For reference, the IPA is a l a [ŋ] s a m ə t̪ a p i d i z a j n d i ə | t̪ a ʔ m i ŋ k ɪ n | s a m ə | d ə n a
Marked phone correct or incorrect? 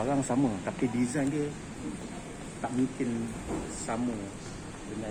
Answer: correct